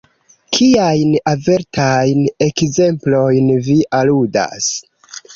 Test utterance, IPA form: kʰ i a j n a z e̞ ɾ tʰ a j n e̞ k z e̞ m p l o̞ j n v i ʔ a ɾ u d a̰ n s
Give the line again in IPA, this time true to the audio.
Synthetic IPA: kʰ i a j n a v e̞ ɾ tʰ a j n e̞ k z e̞ m p l o̞ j n v i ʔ a l u d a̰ s